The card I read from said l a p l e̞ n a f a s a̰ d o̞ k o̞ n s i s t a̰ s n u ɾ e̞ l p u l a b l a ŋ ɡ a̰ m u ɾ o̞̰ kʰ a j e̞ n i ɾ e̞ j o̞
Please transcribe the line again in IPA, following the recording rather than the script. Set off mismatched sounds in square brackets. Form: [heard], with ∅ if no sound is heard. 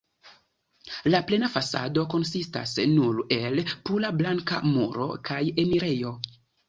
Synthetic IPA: l a p l e̞ n a f a s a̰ d o̞ k o̞ n s i s t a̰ s n u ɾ e̞ l p u l a b l a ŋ [k] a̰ m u ɾ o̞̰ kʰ a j e̞ [m] i ɾ e̞ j o̞